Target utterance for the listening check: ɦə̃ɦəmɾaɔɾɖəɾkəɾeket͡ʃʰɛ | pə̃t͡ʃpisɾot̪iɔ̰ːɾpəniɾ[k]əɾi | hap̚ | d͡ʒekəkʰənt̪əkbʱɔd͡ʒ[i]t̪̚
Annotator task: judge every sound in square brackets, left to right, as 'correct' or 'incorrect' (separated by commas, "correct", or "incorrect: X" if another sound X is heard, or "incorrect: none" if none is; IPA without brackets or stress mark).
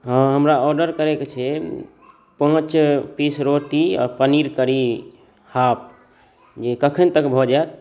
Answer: correct, incorrect: a